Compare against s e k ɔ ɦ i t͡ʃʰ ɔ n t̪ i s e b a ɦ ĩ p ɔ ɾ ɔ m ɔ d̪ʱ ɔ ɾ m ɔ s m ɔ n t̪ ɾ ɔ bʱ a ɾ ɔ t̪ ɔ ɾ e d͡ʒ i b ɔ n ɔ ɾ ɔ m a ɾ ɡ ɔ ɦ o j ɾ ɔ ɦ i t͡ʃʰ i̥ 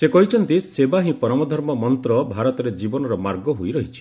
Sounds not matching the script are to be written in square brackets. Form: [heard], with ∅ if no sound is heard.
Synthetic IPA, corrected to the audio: s e k ɔ ɦ i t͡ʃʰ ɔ n t̪ i s e b a ɦ ĩ p ɔ ɾ ɔ m ɔ d̪ʱ ɔ ɾ m ɔ [∅] m ɔ n t̪ ɾ ɔ bʱ a ɾ ɔ t̪ ɔ ɾ e d͡ʒ i b ɔ n ɔ ɾ ɔ m a ɾ ɡ ɔ ɦ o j ɾ ɔ ɦ i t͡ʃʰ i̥